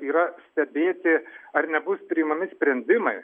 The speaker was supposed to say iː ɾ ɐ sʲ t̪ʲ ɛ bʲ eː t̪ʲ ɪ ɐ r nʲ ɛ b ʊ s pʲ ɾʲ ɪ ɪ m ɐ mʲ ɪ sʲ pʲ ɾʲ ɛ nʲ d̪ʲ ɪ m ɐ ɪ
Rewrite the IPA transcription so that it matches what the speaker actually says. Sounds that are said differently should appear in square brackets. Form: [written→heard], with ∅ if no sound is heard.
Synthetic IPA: iː ɾ ɐ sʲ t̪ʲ ɛ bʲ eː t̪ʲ ɪ ɐ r nʲ ɛ b ʊ s pʲ ɾʲ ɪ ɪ m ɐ mʲ ɪ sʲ pʲ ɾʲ ɛ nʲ d̪ʲ ɪ m ɐ ɪ

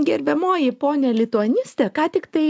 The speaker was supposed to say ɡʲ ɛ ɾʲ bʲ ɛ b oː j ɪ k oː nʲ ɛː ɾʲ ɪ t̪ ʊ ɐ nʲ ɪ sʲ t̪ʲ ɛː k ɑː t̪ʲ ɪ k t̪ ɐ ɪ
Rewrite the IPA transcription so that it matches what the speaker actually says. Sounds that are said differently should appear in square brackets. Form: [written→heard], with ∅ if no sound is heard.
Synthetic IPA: ɡʲ ɛ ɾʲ bʲ ɛ [b→m] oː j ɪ [k→p] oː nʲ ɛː [ɾʲ→lʲ] ɪ t̪ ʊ ɐ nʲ ɪ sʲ t̪ʲ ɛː k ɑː t̪ʲ ɪ k t̪ ɐ ɪ

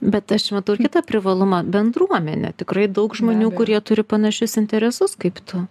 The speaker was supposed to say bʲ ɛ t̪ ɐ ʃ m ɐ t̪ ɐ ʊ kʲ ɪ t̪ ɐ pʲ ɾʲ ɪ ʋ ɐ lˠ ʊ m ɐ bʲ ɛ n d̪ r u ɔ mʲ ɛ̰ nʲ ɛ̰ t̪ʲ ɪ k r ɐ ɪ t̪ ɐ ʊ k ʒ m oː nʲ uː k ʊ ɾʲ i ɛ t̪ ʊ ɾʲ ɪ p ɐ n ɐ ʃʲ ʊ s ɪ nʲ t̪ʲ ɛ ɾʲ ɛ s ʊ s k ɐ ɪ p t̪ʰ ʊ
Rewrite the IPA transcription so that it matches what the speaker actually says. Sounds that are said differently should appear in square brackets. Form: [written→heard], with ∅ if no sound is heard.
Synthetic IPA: bʲ ɛ t̪ ɐ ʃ m ɐ t̪ ɐ ʊ kʲ ɪ t̪ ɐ pʲ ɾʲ ɪ ʋ ɐ lˠ ʊ m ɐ bʲ ɛ n d̪ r u ɔ mʲ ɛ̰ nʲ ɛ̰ t̪ʲ ɪ k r ɐ ɪ [t̪→d̪] ɐ ʊ k ʒ m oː nʲ uː k ʊ ɾʲ i ɛ t̪ ʊ ɾʲ ɪ p ɐ n ɐ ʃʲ ʊ s ɪ nʲ t̪ʲ ɛ ɾʲ ɛ s ʊ s k ɐ ɪ p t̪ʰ ʊ

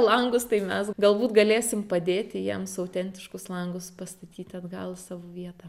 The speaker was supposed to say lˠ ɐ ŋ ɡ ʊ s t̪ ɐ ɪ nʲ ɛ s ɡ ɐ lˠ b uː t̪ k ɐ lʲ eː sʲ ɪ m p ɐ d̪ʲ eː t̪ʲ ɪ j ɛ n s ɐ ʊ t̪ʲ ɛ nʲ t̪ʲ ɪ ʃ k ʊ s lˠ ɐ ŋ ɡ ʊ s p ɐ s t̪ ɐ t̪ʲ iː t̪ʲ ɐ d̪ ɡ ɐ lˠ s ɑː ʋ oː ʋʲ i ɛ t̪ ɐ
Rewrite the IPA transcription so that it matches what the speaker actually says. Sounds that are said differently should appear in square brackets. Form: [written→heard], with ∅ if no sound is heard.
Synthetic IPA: lˠ ɐ ŋ ɡ ʊ s t̪ ɐ ɪ [nʲ→mʲ] ɛ s ɡ ɐ lˠ b uː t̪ [k→ɡ] ɐ lʲ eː sʲ ɪ m p ɐ d̪ʲ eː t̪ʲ ɪ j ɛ [n→m] s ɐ ʊ t̪ʲ ɛ nʲ t̪ʲ ɪ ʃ k ʊ s lˠ ɐ ŋ ɡ ʊ s p ɐ s t̪ ɐ t̪ʲ iː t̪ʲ ɐ d̪ ɡ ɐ lˠ s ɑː ʋ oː ʋʲ i ɛ t̪ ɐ

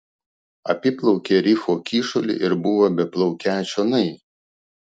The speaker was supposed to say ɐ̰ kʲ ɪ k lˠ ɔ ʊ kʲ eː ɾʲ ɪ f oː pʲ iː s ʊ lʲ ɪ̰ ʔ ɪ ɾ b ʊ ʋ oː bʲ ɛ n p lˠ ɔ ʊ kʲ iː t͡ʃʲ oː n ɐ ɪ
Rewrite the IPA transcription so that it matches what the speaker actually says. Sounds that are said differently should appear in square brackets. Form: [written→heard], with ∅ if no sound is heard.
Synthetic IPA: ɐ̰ [kʲ→pʲ] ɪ [k→p] lˠ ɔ ʊ kʲ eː ɾʲ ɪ f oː [pʲ→kʲ] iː [s→ʃ] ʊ lʲ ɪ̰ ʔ ɪ ɾ b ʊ ʋ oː bʲ ɛ [n→∅] p lˠ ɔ ʊ kʲ [iː→æː] t͡ʃʲ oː n ɐ ɪ

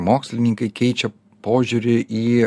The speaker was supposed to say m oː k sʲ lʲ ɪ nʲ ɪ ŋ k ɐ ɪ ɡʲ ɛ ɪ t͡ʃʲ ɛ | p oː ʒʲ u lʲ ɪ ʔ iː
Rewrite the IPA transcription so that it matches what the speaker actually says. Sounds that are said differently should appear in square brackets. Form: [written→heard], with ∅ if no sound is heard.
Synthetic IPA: m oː k sʲ lʲ ɪ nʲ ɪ ŋ k ɐ ɪ [ɡʲ→kʲ] ɛ ɪ t͡ʃʲ ɛ | p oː ʒʲ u [lʲ→ɾʲ] ɪ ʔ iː

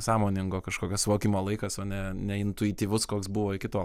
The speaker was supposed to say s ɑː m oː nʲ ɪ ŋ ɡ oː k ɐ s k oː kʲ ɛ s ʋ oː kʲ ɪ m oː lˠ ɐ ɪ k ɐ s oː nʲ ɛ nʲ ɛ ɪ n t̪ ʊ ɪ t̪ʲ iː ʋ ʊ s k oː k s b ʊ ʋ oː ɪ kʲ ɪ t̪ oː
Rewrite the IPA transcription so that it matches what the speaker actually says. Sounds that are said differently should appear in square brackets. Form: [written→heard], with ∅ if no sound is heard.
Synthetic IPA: s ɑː m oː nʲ ɪ ŋ ɡ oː k ɐ [s→ʃ] k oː kʲ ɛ s ʋ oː kʲ ɪ m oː lˠ ɐ ɪ k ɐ s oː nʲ ɛ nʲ ɛ ɪ n t̪ ʊ ɪ t̪ʲ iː ʋ ʊ s k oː k s b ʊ ʋ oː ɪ kʲ ɪ t̪ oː

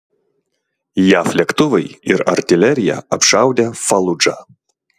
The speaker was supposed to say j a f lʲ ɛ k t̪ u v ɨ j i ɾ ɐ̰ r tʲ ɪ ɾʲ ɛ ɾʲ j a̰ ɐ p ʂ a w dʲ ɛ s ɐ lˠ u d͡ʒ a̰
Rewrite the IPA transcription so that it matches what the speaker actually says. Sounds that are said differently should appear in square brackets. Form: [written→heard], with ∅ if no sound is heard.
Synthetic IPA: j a f lʲ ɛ k t̪ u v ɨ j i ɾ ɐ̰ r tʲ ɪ [ɾʲ→lʲ] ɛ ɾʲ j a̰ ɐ p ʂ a w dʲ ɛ [s→f] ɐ lˠ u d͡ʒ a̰

